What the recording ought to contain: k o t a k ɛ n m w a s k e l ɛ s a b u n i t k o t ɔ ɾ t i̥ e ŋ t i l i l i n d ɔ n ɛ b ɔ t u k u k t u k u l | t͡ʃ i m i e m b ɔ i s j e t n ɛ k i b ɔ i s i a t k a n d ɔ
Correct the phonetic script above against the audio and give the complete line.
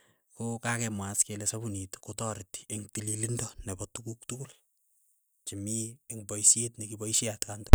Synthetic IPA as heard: k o k a k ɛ m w a s k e l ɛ s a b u n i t k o t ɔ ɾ t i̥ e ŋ t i l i l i n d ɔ n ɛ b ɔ t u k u k t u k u l | t͡ʃ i m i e ŋ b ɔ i s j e t n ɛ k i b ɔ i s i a t k a n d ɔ